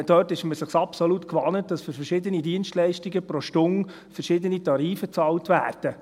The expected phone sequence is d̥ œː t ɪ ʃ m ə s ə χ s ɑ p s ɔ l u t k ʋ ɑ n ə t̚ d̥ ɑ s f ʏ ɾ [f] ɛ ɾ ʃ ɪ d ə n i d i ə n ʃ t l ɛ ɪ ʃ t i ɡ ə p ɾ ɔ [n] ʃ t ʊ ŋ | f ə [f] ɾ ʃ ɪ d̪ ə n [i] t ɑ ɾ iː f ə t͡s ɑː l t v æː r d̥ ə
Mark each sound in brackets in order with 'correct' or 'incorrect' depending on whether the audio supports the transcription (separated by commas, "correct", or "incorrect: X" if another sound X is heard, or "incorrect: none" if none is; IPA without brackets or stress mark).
correct, incorrect: none, incorrect: none, correct